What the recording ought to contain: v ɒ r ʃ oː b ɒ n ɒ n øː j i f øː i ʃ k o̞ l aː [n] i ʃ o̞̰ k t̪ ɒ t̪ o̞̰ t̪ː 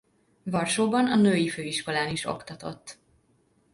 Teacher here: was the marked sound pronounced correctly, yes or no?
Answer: yes